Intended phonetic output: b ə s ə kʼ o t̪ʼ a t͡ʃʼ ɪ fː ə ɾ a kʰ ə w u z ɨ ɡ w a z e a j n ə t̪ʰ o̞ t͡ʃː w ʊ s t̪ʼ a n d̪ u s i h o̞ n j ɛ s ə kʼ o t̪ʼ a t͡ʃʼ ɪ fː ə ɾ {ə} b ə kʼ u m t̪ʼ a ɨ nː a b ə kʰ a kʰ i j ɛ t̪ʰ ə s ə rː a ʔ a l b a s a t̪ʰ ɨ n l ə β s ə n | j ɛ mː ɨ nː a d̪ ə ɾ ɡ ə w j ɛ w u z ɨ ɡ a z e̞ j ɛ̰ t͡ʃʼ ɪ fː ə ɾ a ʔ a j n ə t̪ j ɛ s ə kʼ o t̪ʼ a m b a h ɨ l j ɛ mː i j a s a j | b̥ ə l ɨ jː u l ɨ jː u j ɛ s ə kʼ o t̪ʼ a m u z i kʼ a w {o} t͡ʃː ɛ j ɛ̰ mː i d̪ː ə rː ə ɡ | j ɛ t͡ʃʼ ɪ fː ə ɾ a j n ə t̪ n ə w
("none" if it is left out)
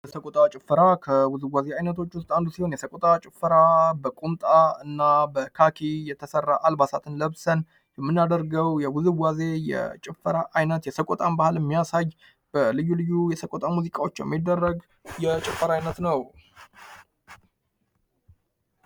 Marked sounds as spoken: a, o

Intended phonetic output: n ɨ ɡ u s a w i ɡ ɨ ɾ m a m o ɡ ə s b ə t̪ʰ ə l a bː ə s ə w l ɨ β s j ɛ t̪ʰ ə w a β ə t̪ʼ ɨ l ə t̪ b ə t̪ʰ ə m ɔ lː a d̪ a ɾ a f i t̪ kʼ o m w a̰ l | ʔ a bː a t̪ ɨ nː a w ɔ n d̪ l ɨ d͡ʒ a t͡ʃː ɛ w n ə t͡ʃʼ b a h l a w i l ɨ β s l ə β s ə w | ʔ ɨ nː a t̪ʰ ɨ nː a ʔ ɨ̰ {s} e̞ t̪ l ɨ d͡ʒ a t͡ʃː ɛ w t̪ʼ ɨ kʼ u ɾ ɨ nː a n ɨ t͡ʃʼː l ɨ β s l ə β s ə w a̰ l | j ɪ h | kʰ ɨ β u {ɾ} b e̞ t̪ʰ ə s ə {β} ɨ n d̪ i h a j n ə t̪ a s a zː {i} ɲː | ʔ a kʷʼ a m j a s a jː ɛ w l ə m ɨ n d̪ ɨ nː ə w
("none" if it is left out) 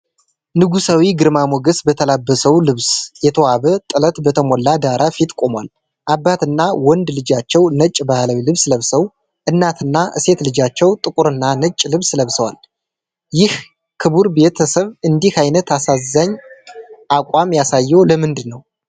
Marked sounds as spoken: s, ɾ, β, a

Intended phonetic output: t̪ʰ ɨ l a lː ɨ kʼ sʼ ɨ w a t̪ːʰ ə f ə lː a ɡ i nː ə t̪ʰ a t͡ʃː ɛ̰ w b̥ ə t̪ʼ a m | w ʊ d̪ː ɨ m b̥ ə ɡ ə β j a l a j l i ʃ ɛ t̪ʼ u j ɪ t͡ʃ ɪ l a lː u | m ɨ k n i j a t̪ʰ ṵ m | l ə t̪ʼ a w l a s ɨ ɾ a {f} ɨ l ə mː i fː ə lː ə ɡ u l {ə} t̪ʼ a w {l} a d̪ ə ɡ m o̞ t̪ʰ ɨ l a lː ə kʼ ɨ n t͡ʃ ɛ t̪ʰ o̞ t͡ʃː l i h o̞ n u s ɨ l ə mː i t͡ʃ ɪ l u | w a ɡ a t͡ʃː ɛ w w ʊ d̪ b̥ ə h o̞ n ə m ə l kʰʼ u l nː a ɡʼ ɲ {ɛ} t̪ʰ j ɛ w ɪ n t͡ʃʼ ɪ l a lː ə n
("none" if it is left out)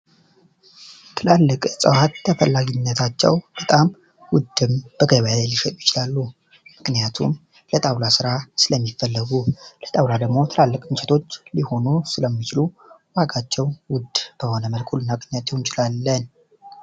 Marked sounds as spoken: s, ə, l, a

